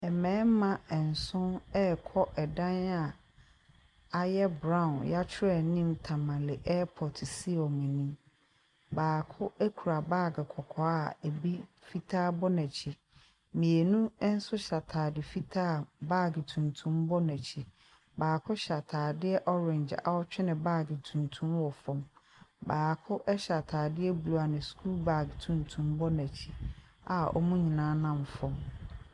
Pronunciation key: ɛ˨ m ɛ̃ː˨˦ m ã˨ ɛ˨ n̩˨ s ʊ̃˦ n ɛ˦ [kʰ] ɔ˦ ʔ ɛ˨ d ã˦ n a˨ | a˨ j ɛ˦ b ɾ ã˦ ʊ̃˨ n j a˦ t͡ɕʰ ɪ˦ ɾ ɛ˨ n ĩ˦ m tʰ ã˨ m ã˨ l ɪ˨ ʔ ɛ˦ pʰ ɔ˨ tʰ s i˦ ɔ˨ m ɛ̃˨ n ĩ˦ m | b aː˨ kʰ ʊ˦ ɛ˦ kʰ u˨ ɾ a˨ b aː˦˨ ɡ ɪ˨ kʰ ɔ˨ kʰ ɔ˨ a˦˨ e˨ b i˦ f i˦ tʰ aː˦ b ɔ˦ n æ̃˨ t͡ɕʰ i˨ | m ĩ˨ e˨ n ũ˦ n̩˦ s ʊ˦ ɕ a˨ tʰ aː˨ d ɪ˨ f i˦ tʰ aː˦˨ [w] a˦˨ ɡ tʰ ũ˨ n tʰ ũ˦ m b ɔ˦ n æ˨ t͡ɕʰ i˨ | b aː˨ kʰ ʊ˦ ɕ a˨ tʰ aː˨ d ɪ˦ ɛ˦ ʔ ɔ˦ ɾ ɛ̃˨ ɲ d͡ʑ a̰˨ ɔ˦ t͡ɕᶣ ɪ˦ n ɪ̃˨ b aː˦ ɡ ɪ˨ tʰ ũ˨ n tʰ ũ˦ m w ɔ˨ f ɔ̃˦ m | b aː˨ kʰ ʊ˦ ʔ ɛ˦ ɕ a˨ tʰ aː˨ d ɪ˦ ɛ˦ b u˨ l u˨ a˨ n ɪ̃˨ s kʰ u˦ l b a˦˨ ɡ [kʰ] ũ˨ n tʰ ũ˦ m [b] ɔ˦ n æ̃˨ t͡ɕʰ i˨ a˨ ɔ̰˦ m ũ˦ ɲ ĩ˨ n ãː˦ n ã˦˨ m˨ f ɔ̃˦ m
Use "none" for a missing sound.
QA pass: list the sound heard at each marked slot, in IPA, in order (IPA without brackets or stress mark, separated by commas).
kʰ, b, tʰ, b